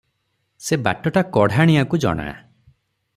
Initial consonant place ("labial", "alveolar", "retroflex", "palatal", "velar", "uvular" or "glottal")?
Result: alveolar